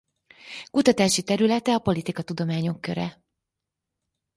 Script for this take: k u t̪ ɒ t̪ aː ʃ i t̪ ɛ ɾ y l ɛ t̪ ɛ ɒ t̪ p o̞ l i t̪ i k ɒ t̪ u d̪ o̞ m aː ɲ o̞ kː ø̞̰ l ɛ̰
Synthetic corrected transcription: k u t̪ ɒ t̪ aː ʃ i t̪ ɛ ɾ y l ɛ t̪ ɛ ɒ p o̞ l i t̪ i k ɒ t̪ u d̪ o̞ m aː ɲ o̞ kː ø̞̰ ɾ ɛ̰